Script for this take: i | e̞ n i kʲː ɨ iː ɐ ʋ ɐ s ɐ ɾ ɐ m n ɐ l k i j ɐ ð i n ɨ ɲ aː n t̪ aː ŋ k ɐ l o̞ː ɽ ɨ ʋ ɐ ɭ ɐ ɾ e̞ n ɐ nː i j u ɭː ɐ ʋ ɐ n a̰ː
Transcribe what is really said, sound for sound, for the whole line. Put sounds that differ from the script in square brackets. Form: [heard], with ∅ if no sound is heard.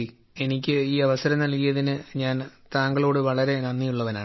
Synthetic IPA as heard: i | e̞ n i kʲː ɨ iː ɐ ʋ ɐ s ɐ ɾ ɐ m n ɐ l k i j ɐ ð i n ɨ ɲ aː n t̪ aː ŋ [ɡ] ɐ [ɭ] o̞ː ɽ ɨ ʋ ɐ ɭ ɐ ɾ e̞ n ɐ nː i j u ɭː ɐ ʋ ɐ n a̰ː